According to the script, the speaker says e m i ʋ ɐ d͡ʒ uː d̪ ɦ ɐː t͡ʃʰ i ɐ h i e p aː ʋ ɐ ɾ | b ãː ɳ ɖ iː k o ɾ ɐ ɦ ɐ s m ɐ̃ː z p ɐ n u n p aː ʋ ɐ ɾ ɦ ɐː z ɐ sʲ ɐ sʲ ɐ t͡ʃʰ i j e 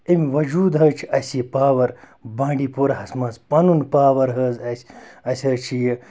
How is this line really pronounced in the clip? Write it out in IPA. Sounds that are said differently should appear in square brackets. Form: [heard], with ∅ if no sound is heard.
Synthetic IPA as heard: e m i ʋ ɐ d͡ʒ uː d̪ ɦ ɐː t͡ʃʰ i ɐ [s] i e p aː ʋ ɐ ɾ | b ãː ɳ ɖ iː [p] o ɾ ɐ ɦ ɐ s m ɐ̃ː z p ɐ n u n p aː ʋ ɐ ɾ ɦ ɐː z ɐ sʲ ɐ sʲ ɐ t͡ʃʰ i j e